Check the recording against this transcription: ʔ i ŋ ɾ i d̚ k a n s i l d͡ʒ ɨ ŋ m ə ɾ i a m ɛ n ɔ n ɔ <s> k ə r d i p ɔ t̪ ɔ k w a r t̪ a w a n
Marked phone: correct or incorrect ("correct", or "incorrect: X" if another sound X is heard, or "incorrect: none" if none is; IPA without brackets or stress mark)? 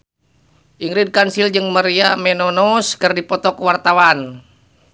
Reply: correct